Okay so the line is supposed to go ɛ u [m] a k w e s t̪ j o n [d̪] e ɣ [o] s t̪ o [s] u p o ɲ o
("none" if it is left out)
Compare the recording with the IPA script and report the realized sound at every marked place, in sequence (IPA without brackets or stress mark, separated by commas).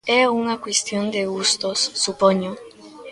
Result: ŋ, d̪, u, sː